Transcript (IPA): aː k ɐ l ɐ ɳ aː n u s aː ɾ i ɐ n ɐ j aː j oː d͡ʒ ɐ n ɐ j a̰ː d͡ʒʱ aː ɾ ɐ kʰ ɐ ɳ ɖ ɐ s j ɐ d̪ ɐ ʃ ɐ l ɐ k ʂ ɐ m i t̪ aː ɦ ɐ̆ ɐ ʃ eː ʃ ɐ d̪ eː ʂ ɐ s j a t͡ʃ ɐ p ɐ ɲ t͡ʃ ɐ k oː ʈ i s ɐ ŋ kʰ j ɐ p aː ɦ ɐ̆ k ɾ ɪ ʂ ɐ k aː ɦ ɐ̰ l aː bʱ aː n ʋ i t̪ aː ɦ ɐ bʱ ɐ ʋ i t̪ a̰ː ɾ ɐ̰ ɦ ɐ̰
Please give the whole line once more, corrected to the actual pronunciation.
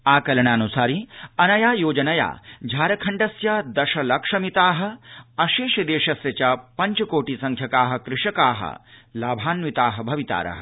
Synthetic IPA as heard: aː k ɐ l ɐ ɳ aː n u s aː ɾ i ɐ n ɐ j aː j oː d͡ʒ ɐ n ɐ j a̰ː d͡ʒʱ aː ɾ ɐ kʰ ɐ ɳ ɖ ɐ s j ɐ d̪ ɐ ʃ ɐ l ɐ k ʂ ɐ m i t̪ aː ɦ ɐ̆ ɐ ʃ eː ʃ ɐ d̪ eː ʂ ɐ s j ɐ t͡ʃ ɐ p ɐ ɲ t͡ʃ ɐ k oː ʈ i s ɐ ŋ kʰ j ɐ k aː ɦ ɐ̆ k ɾ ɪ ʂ ɐ k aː ɦ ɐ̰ l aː bʱ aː n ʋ i t̪ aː ɦ ɐ bʱ ɐ ʋ i t̪ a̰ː ɾ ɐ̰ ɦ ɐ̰